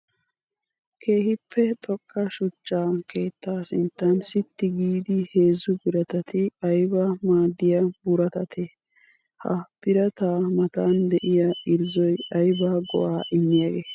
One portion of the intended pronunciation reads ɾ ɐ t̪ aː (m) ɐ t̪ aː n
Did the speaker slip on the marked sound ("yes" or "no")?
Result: no